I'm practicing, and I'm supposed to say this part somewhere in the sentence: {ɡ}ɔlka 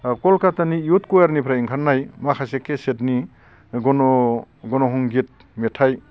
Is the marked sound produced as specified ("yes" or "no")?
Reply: no